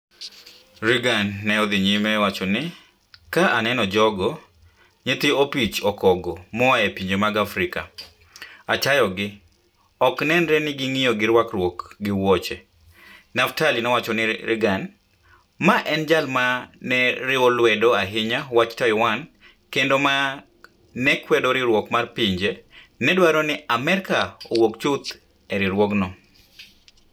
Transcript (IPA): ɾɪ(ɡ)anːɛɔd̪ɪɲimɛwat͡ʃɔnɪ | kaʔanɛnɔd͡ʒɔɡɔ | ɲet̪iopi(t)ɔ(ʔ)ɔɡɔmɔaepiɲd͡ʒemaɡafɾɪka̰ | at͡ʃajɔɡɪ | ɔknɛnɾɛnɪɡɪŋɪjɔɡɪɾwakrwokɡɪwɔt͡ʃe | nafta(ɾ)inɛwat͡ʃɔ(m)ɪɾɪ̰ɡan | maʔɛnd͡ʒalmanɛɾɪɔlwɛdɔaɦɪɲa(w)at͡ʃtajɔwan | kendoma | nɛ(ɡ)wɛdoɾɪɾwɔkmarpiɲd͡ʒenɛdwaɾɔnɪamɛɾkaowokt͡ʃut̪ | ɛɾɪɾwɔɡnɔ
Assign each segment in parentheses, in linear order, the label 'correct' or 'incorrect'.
correct, incorrect: t͡ʃ, incorrect: k, incorrect: l, incorrect: n, correct, incorrect: k

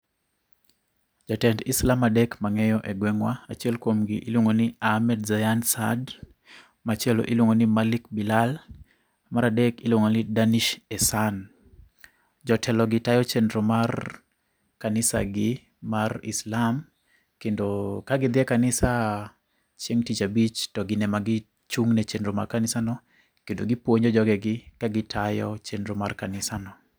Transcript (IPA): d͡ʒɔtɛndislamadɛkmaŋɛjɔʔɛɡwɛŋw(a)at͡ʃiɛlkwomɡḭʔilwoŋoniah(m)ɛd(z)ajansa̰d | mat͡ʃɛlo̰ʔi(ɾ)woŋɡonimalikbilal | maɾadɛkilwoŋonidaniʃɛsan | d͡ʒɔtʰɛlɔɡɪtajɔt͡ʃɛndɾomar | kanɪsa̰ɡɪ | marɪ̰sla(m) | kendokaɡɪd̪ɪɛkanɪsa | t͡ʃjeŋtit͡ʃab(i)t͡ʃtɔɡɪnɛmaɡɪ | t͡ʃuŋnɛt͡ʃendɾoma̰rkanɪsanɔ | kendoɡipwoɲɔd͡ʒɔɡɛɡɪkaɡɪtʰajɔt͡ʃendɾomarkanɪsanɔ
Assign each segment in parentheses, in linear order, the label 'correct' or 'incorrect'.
correct, correct, correct, incorrect: l, correct, correct

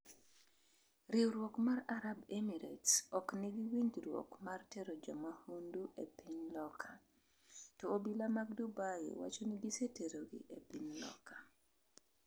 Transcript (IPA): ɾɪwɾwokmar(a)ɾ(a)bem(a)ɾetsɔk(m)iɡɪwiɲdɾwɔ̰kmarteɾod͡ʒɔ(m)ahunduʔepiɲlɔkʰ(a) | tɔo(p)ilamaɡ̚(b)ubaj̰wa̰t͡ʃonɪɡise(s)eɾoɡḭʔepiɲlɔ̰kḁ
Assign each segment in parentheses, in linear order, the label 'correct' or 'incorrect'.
correct, correct, incorrect: i, incorrect: n, correct, correct, incorrect: b, incorrect: d, incorrect: t

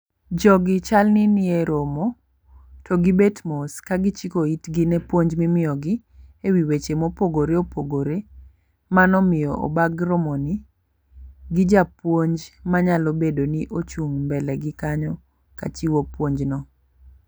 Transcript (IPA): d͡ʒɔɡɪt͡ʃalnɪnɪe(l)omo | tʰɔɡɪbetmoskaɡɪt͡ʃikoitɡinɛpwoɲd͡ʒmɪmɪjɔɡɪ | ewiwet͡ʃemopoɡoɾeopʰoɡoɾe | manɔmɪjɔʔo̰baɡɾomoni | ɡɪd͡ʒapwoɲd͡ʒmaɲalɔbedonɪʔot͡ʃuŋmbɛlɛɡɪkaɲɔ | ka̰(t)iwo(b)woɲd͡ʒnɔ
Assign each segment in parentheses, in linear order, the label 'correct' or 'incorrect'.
incorrect: ɾ, incorrect: t͡ʃ, incorrect: p

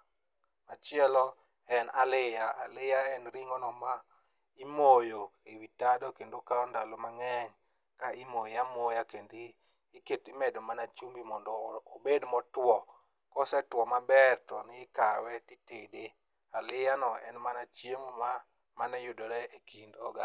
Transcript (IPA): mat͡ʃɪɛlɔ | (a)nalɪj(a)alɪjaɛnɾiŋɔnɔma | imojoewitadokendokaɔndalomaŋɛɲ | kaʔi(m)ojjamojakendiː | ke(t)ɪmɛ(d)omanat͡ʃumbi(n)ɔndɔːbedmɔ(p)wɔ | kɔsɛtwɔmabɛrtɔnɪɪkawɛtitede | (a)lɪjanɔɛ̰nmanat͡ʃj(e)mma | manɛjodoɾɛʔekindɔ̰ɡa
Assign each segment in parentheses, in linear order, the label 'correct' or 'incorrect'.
incorrect: ɛ, correct, correct, correct, correct, incorrect: m, incorrect: t, correct, correct

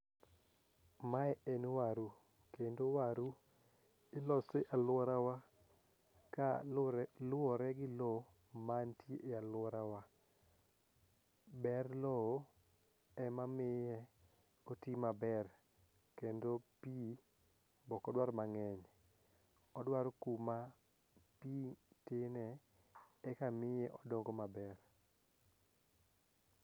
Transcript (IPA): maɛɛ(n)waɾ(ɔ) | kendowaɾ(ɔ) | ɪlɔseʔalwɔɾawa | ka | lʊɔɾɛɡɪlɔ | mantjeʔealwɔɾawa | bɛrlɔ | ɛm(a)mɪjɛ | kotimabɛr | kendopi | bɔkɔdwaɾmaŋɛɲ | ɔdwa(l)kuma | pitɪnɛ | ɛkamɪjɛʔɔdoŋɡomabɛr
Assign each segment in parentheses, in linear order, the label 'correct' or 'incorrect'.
correct, incorrect: u, incorrect: u, correct, incorrect: ɾ

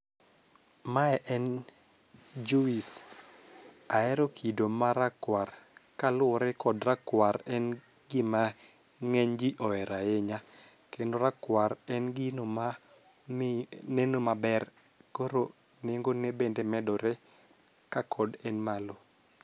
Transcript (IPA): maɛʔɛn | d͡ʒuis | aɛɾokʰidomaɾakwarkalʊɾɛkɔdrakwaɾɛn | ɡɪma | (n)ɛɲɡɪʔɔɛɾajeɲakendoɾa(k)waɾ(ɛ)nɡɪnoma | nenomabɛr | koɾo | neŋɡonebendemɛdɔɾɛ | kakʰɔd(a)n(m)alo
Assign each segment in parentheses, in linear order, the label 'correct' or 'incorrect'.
incorrect: ŋ, correct, correct, incorrect: ɛ, correct

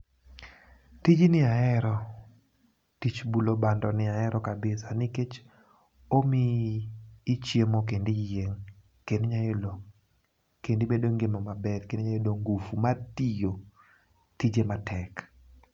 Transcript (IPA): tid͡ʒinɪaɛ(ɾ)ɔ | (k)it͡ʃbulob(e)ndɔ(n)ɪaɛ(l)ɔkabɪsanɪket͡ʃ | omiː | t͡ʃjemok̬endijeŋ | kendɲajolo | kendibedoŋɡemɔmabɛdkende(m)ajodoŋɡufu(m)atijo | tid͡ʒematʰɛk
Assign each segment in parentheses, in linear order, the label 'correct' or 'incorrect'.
correct, incorrect: t, incorrect: a, correct, incorrect: ɾ, incorrect: ɲ, correct

